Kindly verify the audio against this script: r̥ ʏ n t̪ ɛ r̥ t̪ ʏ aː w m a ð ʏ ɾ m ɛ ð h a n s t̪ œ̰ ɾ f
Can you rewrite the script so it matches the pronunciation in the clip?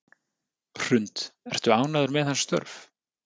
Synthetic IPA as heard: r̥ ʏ n t̪ ɛ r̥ t̪ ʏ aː w n a ð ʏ ɾ m ɛ ð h a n s t̪ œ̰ ɾ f

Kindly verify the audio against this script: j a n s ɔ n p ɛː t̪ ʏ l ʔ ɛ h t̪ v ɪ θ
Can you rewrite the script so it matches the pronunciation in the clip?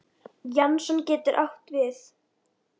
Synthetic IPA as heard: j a n s ɔ n c ɛː t̪ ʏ ɾ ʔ a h t̪ v ɪ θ

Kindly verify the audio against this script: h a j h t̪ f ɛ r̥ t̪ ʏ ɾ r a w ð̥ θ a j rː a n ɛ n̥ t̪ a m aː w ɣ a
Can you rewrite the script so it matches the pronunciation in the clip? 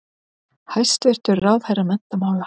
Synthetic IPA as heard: h a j s t̪ v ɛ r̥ t̪ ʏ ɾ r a w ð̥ h a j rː a m ɛ n̥ t̪ a m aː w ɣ a

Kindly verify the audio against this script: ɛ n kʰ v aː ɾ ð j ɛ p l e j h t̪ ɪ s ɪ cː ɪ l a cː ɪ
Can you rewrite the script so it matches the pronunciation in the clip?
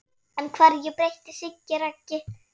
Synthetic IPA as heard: ɛ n kʰ v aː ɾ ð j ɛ p ɾ e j h t̪ ɪ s ɪ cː ɪ ɾ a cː ɪ

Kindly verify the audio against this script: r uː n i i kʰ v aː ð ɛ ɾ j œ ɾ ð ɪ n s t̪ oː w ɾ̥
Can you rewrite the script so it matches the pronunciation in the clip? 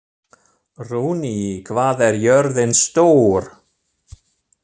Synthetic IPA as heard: r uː n i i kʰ v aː ð ɛ ɾ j œ ɾ ð ɪ n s t̪ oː w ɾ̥

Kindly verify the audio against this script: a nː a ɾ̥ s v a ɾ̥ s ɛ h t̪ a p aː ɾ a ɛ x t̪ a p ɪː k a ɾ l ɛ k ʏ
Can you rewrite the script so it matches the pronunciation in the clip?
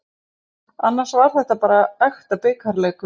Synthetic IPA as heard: a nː a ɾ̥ s v a ɾ̥ θ ɛ h t̪ a p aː ɾ a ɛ x t̪ a p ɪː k a ɾ l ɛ k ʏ

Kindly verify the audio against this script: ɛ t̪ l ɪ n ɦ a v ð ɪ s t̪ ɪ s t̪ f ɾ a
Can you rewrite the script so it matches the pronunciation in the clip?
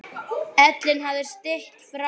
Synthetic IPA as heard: ɛ t̪ l ɪ n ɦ a v ð ɪ s t̪ ɪ h t̪ f ɾ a

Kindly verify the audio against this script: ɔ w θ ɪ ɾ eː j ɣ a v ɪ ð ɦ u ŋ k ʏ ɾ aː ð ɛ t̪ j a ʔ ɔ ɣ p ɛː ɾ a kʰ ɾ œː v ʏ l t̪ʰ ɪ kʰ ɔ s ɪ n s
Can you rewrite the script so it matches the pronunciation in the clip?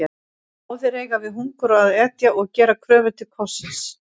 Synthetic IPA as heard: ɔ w θ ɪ ɾ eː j ɣ a v ɪ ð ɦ u ŋ k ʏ ɾ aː ð ɛ t̪ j a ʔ ɔ ɣ c ɛː ɾ a kʰ ɾ œː v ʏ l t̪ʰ ɪ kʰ ɔ s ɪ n s

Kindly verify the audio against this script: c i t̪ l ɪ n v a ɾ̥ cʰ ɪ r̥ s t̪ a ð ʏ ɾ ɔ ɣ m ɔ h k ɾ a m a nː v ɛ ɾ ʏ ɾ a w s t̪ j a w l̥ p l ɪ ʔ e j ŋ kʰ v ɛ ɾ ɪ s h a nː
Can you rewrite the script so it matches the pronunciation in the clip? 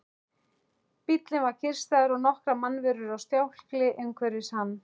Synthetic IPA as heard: p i t̪ l ɪ n v a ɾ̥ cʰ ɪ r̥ s t̪ a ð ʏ ɾ ɔ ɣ n ɔ h k ɾ a m a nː v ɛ ɾ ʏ ɾ a w s t̪ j a w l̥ k l ɪ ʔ e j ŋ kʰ v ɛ ɾ ɪ s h a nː

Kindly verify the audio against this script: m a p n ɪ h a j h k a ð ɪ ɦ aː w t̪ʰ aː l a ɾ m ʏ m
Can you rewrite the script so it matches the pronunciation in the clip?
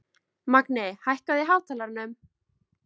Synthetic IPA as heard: m a k n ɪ h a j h k a ð ɪ ɦ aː w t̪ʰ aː l a ɾ n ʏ m

